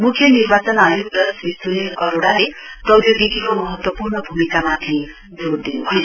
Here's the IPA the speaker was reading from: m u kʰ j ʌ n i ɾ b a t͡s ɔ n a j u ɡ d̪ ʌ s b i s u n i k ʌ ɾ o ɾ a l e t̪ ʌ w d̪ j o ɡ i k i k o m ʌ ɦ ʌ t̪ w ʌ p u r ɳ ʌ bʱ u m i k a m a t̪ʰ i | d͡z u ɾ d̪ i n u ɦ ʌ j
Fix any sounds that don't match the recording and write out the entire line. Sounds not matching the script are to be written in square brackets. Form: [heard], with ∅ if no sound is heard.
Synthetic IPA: m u kʰ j ʌ n i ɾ b a t͡s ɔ n a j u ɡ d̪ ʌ s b i s u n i k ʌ ɾ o [ɽ] a l e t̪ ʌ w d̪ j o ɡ i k i k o m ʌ ɦ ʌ t̪ w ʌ p u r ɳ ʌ bʱ u m i k a m a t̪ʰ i | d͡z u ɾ d̪ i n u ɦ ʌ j